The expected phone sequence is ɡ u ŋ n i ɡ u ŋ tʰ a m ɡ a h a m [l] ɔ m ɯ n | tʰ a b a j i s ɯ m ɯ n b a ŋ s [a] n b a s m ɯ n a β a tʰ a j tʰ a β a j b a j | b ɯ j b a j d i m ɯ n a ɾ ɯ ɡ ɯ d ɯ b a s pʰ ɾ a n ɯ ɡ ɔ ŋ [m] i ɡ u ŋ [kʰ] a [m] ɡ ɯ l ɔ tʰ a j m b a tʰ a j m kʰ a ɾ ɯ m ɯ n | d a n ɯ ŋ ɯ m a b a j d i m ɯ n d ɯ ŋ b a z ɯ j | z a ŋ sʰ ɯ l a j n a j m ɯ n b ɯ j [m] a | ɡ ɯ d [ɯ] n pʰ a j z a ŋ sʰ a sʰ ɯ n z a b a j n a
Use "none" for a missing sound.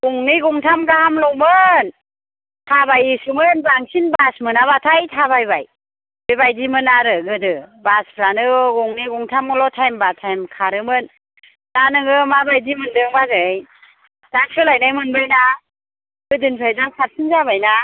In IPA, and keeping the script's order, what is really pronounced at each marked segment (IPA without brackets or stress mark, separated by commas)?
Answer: l, i, n, tʰ, m, n, ɯ